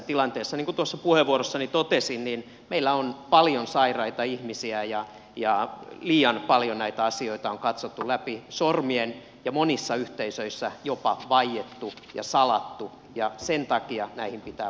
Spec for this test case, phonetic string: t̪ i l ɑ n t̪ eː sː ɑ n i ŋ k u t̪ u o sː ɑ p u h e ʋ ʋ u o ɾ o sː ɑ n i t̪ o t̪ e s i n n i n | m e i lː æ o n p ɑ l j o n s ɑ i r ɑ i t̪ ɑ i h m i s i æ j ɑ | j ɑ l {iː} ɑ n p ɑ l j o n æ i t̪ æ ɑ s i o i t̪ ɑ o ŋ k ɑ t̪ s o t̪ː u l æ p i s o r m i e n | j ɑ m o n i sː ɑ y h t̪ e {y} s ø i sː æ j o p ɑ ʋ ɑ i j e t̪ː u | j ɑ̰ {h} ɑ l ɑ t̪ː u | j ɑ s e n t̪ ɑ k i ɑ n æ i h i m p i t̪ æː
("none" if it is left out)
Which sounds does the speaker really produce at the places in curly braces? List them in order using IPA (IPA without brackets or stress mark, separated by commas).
iː, i, s